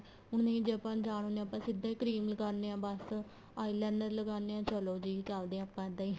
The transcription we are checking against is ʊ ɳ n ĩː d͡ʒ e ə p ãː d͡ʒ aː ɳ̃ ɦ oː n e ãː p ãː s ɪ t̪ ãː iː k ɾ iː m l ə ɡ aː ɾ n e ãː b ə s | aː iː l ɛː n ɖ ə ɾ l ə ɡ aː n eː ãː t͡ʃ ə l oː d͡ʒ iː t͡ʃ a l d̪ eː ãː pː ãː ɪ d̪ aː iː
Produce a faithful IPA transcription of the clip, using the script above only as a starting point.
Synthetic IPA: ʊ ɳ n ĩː d͡ʒ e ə p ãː d͡ʒ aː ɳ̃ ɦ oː n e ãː p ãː s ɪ d̪ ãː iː k ɾ iː m l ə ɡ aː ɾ n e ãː b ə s | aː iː l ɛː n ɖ ə ɾ l ə ɡ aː n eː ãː t͡ʃ ə l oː d͡ʒ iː t͡ʃ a l d̪ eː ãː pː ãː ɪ d̪ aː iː